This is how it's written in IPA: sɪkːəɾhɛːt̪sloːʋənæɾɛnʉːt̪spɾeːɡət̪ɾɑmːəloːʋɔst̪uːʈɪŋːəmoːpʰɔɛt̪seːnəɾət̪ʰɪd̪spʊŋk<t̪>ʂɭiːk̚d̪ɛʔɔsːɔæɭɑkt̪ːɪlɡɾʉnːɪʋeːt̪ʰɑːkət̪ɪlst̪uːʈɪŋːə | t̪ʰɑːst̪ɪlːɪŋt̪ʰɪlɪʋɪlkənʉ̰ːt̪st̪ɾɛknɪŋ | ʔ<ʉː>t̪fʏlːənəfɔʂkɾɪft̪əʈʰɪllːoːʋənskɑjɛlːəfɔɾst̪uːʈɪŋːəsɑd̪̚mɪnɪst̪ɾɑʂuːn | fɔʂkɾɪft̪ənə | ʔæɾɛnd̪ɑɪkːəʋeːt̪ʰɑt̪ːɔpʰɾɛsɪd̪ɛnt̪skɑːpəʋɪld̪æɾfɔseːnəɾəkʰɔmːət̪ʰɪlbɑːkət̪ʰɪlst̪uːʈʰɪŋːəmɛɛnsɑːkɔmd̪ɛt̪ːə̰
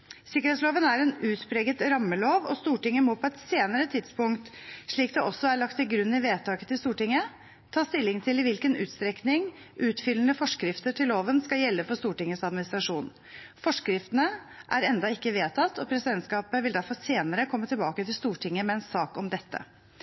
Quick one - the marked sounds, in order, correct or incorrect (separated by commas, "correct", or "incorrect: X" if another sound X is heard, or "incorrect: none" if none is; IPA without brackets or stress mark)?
correct, correct